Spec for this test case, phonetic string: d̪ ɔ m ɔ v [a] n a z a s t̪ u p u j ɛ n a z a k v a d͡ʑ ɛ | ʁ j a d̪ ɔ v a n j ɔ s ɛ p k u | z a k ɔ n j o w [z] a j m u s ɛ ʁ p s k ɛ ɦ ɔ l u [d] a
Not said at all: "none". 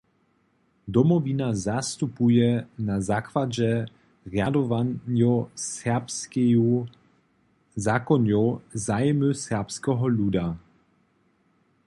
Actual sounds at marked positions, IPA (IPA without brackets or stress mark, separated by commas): i, z, d